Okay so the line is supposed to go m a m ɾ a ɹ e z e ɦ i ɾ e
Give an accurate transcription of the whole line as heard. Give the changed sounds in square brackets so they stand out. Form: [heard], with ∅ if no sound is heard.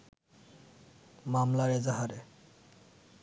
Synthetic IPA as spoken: m a m [l] a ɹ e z [a] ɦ [a] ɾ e